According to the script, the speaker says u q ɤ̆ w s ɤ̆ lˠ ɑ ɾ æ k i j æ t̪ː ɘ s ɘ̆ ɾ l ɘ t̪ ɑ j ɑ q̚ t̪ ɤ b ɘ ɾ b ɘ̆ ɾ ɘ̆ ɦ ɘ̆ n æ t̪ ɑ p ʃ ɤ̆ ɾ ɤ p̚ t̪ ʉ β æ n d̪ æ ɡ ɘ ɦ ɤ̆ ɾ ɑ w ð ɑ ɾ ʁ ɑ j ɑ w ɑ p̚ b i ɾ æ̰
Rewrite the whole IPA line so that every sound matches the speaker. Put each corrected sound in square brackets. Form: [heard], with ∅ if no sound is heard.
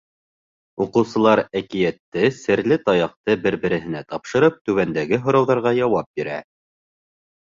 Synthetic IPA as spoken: u q ɤ̆ w s ɤ̆ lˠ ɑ ɾ æ k i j æ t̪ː ɘ s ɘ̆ ɾ l ɘ t̪ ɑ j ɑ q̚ t̪ ɤ b ɘ ɾ b ɘ̆ ɾ ɘ̆ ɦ ɘ̆ n æ t̪ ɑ p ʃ ɤ̆ ɾ ɤ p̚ t̪ ʉ β æ n d̪ æ ɡ ɘ ɦ [ŏ] ɾ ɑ w ð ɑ ɾ ʁ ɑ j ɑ w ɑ p̚ b i ɾ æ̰

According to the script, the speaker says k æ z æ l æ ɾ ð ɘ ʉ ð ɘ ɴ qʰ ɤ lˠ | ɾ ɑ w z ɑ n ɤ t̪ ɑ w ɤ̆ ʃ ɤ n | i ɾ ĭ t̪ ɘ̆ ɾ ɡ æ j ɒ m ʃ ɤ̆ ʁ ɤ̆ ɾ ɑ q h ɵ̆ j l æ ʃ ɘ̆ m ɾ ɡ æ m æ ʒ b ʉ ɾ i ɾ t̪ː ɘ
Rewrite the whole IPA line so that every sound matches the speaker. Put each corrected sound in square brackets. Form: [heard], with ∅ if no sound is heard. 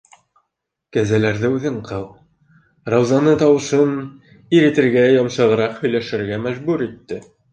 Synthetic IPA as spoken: k æ z æ l æ ɾ ð ɘ ʉ ð ɘ ɴ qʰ ɤ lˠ | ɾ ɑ w z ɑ n ɤ t̪ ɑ w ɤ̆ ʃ ɤ n | i ɾ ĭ t̪ ɘ̆ ɾ ɡ æ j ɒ m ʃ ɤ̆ ʁ ɤ̆ ɾ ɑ q h ɵ̆ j l æ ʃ ɘ̆ [∅] ɾ ɡ æ m æ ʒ b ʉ ɾ i [∅] t̪ː ɘ

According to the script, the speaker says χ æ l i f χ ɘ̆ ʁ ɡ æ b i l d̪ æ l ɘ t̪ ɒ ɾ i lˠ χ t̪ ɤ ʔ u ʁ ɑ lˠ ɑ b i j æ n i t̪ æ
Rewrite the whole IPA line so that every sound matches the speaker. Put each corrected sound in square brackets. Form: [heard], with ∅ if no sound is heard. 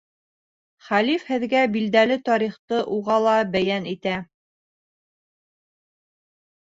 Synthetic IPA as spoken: χ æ l i f [h] ɘ̆ [ð] ɡ æ b i l d̪ æ l ɘ t̪ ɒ ɾ i [∅] χ t̪ ɤ ʔ u ʁ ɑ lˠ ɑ b [æ] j æ n i t̪ æ

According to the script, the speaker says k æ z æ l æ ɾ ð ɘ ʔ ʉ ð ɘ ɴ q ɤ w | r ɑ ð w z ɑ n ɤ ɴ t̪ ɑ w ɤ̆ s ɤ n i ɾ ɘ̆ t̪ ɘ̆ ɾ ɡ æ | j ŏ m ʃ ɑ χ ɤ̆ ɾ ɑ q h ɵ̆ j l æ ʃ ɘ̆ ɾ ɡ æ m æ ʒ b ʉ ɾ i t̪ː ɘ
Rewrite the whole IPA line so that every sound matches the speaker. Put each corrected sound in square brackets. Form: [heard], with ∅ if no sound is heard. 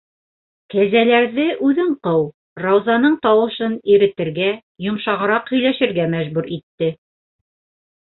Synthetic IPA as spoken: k æ z æ l æ ɾ ð ɘ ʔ ʉ ð ɘ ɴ q ɤ w | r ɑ [∅] w z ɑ n ɤ ɴ t̪ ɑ w ɤ̆ [ʃ] ɤ n i ɾ ɘ̆ t̪ ɘ̆ ɾ ɡ æ | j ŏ m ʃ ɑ [ʁ] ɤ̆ ɾ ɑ q h ɵ̆ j l æ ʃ ɘ̆ ɾ ɡ æ m æ ʒ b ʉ ɾ i t̪ː ɘ

